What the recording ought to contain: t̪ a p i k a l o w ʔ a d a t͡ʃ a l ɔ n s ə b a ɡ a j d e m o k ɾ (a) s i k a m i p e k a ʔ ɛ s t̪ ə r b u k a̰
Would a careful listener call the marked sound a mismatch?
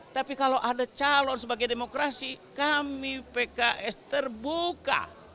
no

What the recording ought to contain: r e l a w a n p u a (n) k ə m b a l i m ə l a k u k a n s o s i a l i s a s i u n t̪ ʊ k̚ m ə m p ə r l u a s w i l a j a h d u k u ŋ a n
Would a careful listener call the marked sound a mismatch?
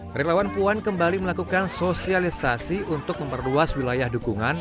no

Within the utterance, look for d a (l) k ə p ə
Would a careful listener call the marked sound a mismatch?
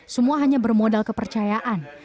no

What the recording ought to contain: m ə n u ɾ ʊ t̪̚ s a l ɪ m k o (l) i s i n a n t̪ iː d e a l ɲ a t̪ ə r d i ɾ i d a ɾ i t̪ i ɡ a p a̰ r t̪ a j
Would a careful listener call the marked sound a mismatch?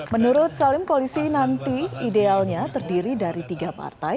no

